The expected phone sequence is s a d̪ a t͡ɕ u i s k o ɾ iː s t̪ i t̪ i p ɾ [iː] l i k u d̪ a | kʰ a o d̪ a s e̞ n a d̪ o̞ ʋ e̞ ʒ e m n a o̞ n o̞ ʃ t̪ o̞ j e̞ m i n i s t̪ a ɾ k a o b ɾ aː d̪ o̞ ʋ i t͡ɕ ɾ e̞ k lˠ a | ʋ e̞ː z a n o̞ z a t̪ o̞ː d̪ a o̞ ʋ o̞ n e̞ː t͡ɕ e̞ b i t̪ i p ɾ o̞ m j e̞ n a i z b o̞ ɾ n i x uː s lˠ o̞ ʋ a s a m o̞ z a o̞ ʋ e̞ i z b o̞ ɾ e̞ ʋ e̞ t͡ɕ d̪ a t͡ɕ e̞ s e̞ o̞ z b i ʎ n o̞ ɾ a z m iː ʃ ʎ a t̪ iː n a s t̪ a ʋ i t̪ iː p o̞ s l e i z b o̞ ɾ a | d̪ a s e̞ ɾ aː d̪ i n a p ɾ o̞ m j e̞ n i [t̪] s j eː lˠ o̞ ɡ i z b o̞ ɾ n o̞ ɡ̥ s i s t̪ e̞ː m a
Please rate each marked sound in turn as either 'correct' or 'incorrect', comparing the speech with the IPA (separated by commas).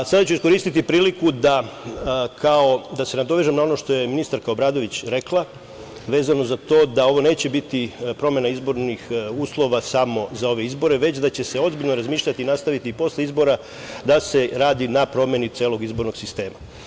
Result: correct, correct